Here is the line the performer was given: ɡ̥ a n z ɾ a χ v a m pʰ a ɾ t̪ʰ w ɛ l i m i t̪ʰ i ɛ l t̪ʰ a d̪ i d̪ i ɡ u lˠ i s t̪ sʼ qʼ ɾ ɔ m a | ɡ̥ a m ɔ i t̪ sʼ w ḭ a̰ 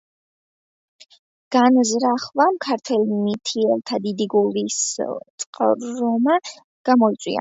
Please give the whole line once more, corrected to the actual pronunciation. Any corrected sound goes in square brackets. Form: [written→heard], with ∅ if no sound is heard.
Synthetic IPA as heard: ɡ̥ a n z ɾ a χ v a m [pʰ→kʰ] a ɾ t̪ʰ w ɛ l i m i t̪ʰ i ɛ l t̪ʰ a d̪ i d̪ i ɡ u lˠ i s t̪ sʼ qʼ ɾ ɔ m a | ɡ̥ a m ɔ i t̪ sʼ w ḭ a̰